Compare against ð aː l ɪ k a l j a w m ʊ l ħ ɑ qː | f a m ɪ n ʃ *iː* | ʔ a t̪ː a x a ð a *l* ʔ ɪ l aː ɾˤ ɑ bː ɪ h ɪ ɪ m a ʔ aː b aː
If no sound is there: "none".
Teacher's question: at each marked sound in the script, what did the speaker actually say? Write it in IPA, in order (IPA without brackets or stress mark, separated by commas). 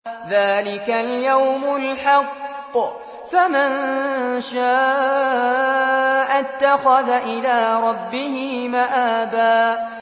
aː, none